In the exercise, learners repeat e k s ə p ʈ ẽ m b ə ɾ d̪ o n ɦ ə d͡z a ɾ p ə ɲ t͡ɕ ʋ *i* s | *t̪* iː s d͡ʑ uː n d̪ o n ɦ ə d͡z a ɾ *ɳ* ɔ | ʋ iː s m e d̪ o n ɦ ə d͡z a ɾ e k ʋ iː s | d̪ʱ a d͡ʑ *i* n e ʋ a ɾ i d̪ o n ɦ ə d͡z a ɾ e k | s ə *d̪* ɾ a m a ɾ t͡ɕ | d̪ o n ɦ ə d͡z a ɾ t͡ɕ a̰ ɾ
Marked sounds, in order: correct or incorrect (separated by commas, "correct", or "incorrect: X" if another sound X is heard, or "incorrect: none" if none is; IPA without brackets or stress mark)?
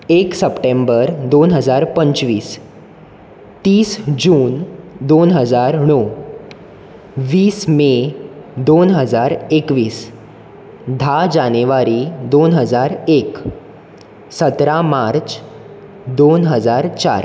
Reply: incorrect: iː, correct, correct, incorrect: a, incorrect: t̪